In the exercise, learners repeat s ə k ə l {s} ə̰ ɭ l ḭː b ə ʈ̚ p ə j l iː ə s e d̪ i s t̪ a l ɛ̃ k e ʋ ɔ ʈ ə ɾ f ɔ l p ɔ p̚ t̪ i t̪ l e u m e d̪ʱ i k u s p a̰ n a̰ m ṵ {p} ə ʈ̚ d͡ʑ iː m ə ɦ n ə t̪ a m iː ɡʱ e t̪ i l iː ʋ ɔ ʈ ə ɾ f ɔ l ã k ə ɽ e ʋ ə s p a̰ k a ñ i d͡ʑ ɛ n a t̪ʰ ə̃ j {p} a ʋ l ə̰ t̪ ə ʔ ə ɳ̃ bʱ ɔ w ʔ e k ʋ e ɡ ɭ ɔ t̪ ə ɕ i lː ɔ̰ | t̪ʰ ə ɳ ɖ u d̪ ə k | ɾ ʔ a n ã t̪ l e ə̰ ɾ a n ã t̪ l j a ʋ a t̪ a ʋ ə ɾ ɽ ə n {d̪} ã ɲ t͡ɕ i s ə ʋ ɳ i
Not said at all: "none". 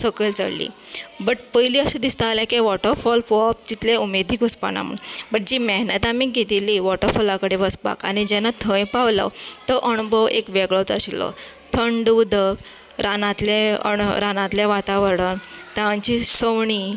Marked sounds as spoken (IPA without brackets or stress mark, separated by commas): t͡s, b, p, t̪